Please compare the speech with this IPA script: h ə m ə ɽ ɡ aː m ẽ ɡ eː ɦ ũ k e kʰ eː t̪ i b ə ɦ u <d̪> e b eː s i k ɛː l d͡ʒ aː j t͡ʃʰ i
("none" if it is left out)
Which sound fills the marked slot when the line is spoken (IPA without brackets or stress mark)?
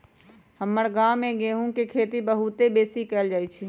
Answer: t̪